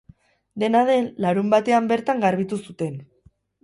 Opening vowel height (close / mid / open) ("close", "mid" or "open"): mid